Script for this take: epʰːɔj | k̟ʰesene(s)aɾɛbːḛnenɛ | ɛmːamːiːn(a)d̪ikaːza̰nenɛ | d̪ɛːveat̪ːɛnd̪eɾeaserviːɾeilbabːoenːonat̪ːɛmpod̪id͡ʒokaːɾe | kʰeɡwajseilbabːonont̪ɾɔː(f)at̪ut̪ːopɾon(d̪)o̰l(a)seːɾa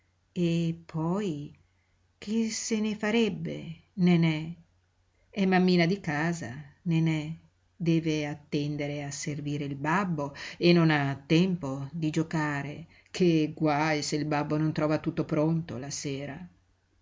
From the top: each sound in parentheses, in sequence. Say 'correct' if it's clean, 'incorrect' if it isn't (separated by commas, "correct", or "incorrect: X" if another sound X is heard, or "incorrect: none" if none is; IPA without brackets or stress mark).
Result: incorrect: f, correct, incorrect: v, incorrect: t̪, correct